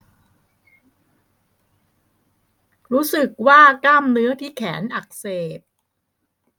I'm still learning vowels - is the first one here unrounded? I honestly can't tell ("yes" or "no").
no